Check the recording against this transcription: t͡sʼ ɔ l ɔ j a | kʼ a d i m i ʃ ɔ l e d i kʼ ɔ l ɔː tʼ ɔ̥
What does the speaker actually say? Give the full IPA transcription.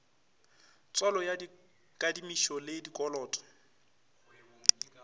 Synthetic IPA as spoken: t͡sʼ ɔ l ɔ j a | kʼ a d i m i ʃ ɔ l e d i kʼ ɔ l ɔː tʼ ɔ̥